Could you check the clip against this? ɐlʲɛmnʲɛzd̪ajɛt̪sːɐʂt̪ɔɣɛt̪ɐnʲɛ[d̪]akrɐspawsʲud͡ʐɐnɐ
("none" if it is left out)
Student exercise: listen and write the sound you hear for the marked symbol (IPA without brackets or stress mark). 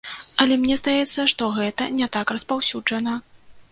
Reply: t̪